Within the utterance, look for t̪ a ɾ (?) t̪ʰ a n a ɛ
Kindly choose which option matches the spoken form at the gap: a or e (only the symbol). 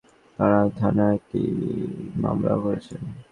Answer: a